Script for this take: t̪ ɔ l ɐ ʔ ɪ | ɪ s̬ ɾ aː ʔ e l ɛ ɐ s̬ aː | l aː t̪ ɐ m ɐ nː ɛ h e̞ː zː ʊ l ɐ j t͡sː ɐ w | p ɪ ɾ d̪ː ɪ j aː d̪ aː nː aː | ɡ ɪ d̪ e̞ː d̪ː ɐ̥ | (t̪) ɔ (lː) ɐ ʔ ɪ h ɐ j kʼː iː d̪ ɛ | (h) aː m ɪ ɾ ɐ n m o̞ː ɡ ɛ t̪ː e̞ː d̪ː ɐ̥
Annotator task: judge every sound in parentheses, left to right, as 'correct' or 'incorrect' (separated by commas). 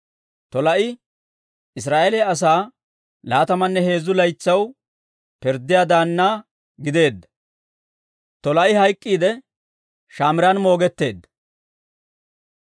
correct, incorrect, incorrect